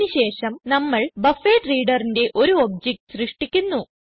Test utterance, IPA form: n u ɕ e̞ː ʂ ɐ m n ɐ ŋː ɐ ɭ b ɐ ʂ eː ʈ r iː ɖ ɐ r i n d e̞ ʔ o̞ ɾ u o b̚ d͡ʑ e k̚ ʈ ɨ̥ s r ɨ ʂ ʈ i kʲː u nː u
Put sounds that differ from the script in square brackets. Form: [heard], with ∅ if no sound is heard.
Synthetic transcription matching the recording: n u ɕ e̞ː ʂ ɐ m n ɐ [mː] ɐ ɭ b ɐ [f] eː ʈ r iː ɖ ɐ r i n d e̞ ʔ o̞ ɾ u o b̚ d͡ʑ e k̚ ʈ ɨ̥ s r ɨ ʂ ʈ i kʲː u nː u